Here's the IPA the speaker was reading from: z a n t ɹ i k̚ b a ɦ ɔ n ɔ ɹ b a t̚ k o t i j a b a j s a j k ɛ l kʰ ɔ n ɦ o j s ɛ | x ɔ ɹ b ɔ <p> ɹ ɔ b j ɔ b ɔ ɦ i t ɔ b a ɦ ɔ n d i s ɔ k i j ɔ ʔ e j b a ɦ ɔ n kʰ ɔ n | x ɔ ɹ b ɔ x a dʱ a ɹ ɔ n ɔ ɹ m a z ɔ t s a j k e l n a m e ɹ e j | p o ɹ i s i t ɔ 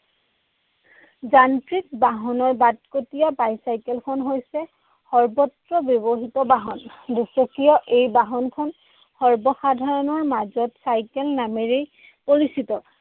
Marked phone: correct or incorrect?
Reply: incorrect: t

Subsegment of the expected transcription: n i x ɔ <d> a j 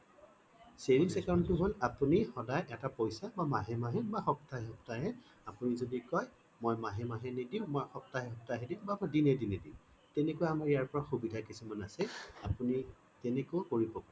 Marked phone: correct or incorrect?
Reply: correct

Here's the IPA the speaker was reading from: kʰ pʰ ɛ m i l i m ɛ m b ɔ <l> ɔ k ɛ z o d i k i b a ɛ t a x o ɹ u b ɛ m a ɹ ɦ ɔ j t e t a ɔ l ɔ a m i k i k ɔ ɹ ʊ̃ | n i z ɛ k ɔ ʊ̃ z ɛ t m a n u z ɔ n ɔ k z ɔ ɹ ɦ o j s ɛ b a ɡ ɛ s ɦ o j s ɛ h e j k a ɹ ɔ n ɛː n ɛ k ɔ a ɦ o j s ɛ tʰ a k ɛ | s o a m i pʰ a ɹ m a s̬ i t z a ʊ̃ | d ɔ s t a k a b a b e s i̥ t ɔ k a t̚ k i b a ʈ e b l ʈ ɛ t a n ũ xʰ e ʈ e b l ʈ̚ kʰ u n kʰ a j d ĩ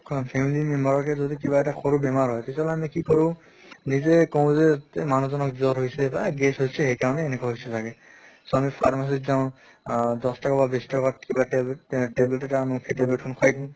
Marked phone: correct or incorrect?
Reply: incorrect: ɹ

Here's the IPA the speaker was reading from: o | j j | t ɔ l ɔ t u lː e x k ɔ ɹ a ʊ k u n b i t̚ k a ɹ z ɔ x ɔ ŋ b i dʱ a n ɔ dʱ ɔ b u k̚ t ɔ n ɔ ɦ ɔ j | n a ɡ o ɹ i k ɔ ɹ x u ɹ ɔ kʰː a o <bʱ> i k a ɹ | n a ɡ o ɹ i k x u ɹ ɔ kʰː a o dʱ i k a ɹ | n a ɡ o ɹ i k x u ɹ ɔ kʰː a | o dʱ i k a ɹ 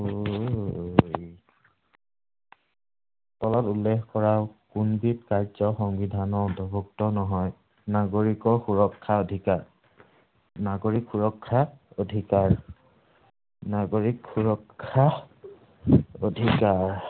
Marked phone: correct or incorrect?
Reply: incorrect: dʱ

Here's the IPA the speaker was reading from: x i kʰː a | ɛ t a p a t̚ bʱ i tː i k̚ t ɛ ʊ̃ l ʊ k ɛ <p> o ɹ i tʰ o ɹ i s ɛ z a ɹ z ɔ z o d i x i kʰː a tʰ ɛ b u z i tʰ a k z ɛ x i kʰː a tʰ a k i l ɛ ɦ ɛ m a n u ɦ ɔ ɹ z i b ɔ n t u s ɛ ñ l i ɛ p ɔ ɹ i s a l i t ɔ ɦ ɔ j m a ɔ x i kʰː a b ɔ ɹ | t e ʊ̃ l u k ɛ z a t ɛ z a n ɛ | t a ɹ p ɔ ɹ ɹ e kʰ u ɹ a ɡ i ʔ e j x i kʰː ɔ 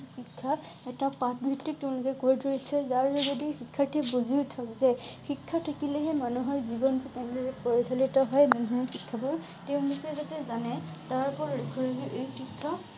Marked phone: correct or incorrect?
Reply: incorrect: k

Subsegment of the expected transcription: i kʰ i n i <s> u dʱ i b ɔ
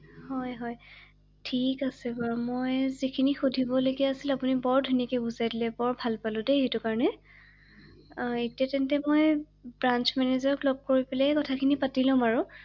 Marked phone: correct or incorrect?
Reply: incorrect: x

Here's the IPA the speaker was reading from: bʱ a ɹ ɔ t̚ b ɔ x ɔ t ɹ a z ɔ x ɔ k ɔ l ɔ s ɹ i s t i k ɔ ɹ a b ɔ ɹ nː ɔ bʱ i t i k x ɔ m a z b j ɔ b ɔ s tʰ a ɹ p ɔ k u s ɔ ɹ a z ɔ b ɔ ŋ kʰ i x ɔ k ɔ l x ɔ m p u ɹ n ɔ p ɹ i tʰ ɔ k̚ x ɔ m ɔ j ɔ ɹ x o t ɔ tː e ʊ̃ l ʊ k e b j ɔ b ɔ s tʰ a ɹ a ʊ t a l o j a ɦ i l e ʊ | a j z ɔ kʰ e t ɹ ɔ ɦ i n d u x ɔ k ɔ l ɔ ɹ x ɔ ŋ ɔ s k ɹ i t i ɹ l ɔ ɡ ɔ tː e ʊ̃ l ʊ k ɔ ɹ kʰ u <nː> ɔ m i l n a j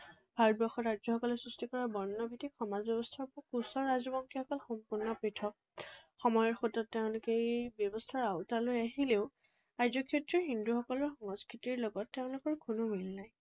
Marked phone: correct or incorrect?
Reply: incorrect: n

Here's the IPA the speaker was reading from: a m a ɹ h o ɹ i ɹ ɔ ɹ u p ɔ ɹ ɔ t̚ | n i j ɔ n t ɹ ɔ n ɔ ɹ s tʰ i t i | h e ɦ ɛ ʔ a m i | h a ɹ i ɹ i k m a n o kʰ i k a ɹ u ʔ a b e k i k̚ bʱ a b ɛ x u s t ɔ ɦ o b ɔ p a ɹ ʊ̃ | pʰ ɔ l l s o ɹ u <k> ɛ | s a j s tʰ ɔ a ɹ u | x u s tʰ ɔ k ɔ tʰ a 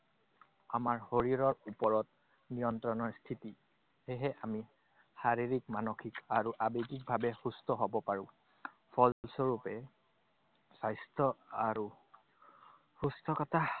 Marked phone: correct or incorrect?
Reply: incorrect: p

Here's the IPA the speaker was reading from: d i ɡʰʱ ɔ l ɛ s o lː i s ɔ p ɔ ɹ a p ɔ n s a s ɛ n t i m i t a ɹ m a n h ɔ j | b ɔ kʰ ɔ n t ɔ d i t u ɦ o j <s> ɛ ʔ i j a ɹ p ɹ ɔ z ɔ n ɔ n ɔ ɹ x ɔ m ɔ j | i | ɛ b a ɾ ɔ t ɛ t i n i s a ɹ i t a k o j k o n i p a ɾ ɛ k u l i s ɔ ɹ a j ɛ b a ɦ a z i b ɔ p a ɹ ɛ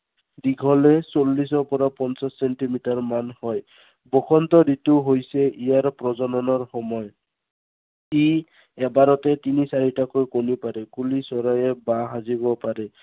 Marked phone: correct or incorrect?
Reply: correct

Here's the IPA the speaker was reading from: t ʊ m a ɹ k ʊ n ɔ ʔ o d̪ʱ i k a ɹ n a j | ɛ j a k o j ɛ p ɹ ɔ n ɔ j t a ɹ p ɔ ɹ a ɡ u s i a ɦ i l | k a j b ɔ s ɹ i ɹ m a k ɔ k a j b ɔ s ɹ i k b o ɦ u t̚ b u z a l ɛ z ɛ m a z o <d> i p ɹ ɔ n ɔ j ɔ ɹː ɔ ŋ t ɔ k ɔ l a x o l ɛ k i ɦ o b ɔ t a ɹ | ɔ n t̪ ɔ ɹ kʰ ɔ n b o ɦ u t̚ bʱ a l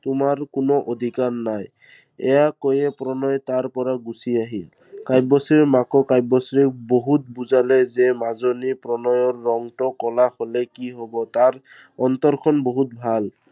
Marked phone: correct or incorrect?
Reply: incorrect: n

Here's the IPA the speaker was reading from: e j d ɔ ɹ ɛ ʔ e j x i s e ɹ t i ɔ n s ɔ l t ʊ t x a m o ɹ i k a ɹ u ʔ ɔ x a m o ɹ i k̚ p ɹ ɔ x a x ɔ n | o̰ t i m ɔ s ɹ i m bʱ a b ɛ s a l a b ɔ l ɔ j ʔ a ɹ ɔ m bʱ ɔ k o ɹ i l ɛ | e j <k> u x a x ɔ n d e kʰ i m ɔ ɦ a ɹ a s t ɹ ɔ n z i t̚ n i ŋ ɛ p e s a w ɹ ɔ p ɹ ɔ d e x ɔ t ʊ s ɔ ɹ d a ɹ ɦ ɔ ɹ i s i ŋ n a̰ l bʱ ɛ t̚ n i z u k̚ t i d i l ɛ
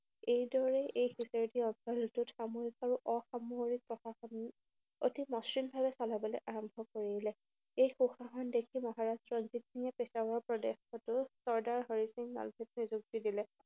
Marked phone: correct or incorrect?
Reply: incorrect: x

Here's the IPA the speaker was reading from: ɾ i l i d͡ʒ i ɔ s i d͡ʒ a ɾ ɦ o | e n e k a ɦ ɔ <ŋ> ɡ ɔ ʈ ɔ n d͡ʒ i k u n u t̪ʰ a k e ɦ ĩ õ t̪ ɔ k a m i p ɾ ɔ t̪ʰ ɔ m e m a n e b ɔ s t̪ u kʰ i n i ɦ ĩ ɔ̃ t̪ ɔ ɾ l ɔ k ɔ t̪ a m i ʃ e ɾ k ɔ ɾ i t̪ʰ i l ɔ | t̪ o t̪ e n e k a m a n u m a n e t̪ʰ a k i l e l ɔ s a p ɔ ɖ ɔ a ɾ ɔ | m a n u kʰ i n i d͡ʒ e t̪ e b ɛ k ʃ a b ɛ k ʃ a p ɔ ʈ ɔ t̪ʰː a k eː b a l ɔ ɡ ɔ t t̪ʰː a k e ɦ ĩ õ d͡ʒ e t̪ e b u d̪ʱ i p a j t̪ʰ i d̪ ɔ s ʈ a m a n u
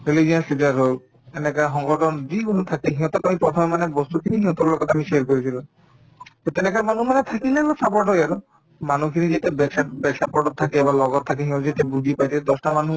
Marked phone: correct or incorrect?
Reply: correct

